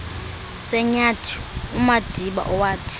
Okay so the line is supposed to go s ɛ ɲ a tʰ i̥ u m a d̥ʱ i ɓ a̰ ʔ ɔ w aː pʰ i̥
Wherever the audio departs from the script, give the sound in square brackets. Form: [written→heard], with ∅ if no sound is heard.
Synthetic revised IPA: s ɛ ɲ a tʰ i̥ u m a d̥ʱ i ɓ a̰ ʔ ɔ w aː [pʰ→tʰ] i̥